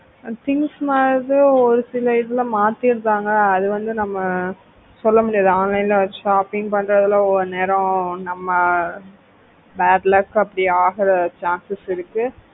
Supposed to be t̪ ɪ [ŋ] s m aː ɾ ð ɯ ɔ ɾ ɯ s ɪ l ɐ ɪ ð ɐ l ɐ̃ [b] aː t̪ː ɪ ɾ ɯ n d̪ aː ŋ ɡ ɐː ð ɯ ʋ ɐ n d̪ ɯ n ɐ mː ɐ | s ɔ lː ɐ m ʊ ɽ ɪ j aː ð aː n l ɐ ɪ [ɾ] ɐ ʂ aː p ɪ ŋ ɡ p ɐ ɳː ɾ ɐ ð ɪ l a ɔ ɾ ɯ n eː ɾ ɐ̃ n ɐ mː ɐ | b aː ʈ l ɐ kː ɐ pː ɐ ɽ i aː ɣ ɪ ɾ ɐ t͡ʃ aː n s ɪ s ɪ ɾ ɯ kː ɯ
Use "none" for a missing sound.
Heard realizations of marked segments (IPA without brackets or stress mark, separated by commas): ŋ, m, l